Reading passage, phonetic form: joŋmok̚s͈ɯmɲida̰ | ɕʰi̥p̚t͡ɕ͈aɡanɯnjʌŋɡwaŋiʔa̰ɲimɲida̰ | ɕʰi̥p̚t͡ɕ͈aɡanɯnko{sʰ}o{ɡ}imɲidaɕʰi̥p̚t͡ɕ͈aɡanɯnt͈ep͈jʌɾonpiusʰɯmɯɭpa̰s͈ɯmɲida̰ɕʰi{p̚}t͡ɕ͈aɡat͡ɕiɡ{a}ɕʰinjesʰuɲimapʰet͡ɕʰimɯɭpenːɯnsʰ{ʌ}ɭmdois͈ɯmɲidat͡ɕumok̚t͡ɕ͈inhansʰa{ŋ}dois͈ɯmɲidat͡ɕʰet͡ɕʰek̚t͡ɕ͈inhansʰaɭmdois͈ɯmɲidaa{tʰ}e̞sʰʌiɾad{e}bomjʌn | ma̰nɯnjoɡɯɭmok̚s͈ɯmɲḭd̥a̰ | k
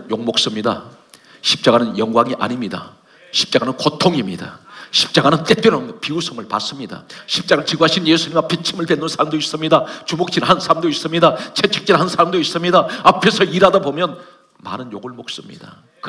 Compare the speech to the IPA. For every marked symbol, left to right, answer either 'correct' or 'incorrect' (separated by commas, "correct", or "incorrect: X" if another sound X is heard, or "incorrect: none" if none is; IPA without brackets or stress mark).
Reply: incorrect: tʰ, incorrect: ŋ, correct, correct, incorrect: a, incorrect: m, incorrect: pʰ, incorrect: a